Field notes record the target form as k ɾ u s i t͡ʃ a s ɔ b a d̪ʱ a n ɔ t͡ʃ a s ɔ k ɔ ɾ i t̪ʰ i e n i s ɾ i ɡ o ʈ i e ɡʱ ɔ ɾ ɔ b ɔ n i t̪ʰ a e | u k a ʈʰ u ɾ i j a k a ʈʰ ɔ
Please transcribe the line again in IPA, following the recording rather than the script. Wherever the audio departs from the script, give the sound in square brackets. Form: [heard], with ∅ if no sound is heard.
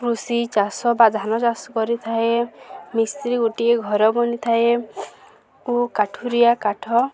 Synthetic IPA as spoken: k ɾ u s i t͡ʃ a s ɔ b a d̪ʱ a n ɔ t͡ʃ a s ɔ k ɔ ɾ i t̪ʰ [a] e [m] i s ɾ i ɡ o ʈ i e ɡʱ ɔ ɾ ɔ b ɔ n i t̪ʰ a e | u k a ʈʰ u ɾ i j a k a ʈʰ ɔ